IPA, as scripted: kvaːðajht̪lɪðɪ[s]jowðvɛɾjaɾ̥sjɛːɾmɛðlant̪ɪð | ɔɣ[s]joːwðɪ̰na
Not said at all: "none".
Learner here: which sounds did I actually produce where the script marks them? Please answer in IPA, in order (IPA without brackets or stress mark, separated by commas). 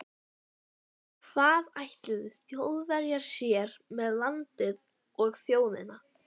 θ, θ